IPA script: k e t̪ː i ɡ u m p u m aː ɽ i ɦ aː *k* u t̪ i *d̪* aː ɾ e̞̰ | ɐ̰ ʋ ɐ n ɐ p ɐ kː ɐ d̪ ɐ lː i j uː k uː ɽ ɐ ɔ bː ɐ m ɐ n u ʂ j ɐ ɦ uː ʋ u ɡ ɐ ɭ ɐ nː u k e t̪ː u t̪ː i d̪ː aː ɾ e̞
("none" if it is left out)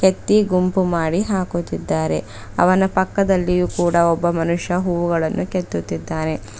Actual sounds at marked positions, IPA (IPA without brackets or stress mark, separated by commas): k, d̪ː